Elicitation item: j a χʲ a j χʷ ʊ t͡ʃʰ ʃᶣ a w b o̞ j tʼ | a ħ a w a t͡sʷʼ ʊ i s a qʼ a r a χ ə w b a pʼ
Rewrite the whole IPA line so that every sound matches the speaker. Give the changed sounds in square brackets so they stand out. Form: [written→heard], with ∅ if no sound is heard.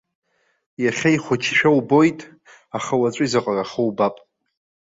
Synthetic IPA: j a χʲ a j χʷ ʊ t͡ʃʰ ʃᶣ a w b o̞ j tʼ | a [ħ→χ] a w a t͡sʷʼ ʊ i [s→z] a qʼ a r a χ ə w b a pʼ